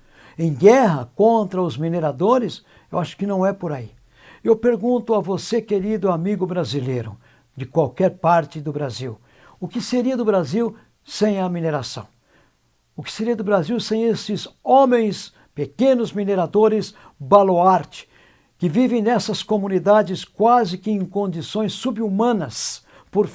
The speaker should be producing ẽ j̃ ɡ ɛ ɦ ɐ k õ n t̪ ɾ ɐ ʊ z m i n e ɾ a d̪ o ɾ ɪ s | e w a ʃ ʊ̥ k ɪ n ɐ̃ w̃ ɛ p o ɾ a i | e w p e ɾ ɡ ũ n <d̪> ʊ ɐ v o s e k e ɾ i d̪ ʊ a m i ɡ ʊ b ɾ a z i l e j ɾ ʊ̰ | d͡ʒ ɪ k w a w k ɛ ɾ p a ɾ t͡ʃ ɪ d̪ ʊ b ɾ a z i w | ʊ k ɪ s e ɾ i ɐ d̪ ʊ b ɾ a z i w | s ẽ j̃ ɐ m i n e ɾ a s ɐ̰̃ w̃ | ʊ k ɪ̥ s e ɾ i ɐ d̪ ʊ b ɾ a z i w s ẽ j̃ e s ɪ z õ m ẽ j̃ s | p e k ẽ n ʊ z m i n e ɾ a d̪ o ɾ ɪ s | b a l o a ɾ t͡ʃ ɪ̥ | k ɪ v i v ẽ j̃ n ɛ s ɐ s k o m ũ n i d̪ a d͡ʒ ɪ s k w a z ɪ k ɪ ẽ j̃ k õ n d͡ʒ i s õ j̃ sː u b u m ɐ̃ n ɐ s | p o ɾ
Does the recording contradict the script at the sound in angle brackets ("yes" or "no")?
yes